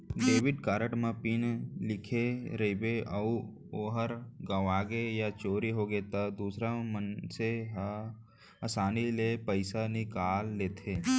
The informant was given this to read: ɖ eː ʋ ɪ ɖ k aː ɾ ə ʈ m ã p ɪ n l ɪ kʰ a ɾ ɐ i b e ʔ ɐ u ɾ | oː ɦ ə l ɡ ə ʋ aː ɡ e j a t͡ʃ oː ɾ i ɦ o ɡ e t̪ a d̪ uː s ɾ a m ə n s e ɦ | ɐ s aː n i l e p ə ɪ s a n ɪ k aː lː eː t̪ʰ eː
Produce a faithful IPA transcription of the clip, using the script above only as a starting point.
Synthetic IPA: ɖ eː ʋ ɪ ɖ k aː ɾ ə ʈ m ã p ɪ n l ɪ kʰ e ɾ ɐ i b e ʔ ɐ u | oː ɦ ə ɾ ɡ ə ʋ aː ɡ e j a t͡ʃ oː ɾ i ɦ o ɡ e t̪ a d̪ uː s ɾ a m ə n s e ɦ | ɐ s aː n i l e p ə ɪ s a n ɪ k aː lː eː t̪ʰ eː